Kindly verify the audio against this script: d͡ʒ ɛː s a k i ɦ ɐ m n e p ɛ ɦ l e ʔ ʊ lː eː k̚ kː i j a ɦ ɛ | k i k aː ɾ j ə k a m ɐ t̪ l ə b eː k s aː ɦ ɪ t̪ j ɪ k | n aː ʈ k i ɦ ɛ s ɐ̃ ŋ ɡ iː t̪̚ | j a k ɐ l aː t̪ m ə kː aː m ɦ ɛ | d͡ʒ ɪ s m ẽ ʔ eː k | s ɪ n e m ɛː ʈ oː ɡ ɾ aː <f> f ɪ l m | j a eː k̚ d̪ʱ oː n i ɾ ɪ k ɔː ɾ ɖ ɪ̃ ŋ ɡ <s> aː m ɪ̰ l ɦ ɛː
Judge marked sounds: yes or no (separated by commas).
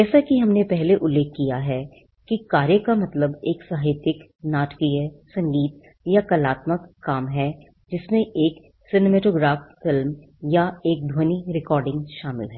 yes, no